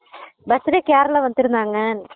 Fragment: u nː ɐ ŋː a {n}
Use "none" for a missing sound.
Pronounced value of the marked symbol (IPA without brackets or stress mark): n